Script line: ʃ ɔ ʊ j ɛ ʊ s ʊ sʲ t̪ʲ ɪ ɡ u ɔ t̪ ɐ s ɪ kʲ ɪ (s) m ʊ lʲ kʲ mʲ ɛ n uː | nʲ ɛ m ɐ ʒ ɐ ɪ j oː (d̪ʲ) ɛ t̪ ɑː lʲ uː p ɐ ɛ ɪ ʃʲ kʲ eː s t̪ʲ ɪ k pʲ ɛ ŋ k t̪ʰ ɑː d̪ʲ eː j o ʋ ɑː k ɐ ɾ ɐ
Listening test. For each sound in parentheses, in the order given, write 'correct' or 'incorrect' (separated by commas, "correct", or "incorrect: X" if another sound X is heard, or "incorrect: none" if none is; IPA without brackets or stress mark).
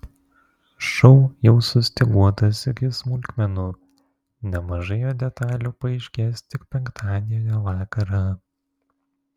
correct, correct